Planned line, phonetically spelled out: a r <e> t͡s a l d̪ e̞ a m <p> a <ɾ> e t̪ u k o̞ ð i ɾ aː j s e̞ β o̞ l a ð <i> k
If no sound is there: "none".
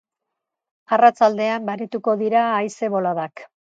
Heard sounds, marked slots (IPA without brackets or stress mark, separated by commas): a, b, ɾ, a